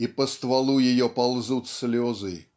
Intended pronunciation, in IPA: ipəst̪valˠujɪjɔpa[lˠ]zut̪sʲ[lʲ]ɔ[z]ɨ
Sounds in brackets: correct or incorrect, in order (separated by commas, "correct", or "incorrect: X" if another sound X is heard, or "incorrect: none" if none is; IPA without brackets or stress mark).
correct, correct, correct